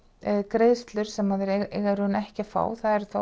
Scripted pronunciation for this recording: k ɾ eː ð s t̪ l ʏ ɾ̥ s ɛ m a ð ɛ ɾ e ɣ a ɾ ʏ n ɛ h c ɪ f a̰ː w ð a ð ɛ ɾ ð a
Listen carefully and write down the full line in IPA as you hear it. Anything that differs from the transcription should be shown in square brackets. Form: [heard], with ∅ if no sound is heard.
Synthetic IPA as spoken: k ɾ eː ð s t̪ l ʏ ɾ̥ s ɛ m a ð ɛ ɾ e ɣ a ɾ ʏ n ɛ h c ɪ f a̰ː w [θ] a ð ɛ ɾ [θ] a